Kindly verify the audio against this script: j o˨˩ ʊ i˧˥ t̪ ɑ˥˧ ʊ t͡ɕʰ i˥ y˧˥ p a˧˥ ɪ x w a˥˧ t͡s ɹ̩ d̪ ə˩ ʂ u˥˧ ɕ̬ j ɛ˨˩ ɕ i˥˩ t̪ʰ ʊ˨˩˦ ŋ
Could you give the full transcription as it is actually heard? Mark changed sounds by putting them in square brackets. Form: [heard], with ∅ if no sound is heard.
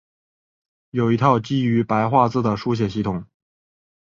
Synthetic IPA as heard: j o˨˩ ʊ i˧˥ [t̪ʰ] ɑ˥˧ ʊ [t͡ɕ] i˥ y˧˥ p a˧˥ ɪ x w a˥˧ t͡s ɹ̩ d̪ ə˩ ʂ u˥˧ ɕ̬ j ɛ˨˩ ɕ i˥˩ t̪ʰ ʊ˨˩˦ ŋ